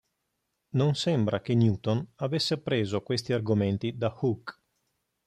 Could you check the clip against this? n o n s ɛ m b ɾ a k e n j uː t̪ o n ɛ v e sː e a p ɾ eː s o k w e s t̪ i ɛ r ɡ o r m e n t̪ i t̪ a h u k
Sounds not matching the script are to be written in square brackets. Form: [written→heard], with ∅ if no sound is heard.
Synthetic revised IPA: n o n s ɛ m b ɾ a k e n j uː t̪ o n [ɛ→a] v e sː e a p ɾ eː [s→z] o k w e s t̪ i [ɛ→a] r ɡ o [r→∅] m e n t̪ i [t̪→d̪] a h u k